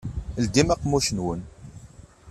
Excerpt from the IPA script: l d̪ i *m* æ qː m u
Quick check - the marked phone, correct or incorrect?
correct